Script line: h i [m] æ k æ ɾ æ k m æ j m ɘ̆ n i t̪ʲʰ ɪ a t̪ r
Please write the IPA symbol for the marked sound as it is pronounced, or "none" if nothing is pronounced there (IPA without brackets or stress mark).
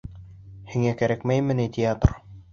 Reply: ŋ